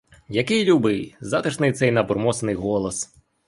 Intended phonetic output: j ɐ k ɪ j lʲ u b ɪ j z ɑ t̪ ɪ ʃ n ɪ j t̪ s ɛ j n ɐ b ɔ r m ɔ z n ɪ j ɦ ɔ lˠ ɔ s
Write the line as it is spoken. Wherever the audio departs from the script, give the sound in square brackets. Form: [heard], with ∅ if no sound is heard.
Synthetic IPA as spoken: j ɐ k ɪ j lʲ u b ɪ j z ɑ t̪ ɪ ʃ n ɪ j t̪ s ɛ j n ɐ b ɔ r m ɔ [s] n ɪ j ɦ ɔ lˠ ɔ s